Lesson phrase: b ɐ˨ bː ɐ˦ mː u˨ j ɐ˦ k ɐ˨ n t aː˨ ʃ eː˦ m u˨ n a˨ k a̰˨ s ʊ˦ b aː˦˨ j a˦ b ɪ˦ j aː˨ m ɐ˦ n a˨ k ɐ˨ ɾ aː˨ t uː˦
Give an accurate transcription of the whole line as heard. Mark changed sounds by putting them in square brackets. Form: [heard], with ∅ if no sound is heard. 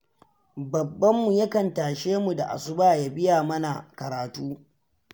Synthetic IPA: b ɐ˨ bː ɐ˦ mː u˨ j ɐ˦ k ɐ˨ n t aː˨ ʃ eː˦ m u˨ [d] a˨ [ʔ] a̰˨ s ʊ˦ b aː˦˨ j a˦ b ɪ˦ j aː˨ m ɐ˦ n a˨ k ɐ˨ ɾ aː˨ t uː˦